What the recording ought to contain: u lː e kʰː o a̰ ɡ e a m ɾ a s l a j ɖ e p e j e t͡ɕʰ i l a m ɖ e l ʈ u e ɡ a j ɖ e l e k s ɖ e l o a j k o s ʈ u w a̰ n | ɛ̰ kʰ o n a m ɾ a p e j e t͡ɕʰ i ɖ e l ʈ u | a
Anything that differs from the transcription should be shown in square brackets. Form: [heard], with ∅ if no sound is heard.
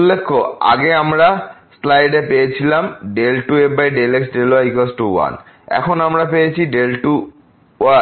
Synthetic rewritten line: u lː e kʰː o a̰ ɡ e a m ɾ a s l a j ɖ e p e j e t͡ɕʰ i l a m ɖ e l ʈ u e [b] a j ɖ e l e k s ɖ e l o a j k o s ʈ u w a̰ n | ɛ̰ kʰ o n a m ɾ a p e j e t͡ɕʰ i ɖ e l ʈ u | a